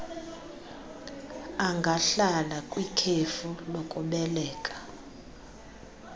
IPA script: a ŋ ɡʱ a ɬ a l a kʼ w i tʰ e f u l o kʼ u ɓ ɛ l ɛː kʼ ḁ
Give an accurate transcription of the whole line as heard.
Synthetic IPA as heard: a ŋ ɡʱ a ɬ a l a kʼ w i kʰ e f u l o kʼ u ɓ ɛ l ɛː kʼ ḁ